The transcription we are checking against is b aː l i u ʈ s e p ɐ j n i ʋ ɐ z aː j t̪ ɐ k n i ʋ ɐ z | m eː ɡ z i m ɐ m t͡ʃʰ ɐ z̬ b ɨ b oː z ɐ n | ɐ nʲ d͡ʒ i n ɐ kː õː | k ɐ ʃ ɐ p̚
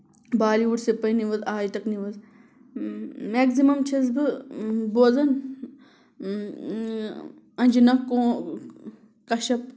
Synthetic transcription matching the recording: b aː l i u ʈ s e p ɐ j n i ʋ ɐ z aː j t̪ ɐ k n i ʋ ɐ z | m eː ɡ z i m ɐ m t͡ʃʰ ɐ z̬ b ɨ b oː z ɐ n | ɐ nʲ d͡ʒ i n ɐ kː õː | k ɐ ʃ ɐ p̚